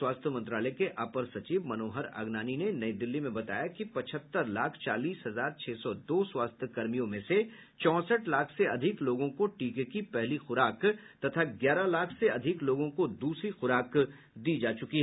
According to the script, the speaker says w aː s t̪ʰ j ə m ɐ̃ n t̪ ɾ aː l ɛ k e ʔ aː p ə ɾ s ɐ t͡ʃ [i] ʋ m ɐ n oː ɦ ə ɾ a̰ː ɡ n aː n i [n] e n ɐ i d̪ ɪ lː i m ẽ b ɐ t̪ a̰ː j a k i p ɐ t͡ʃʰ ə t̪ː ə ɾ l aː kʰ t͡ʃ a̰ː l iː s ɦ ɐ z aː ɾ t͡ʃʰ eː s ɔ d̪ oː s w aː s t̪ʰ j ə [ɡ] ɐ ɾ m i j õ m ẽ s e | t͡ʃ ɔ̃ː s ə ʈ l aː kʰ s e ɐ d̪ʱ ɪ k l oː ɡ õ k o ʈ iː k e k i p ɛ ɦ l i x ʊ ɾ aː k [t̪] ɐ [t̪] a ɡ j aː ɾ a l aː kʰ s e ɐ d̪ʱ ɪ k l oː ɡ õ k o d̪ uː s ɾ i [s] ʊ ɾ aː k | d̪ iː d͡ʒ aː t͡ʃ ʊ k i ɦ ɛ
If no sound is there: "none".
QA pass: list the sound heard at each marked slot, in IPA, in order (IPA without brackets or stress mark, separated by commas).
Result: iː, n, k, t̪, t̪ʰ, x